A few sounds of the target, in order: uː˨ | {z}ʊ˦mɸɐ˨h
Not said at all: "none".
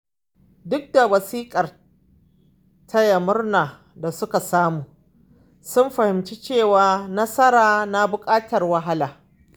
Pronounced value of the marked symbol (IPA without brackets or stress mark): s